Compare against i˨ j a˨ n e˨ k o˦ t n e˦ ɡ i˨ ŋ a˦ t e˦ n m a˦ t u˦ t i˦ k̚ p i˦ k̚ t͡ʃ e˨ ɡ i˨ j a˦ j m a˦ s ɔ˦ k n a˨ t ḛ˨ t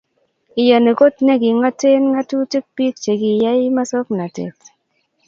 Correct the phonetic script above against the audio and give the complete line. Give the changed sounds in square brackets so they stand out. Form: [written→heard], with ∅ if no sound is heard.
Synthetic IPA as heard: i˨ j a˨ n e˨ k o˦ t n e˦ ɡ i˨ ŋ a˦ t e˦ n [m→ŋ] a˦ t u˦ t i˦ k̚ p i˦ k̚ t͡ʃ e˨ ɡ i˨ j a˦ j m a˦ s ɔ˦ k n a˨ t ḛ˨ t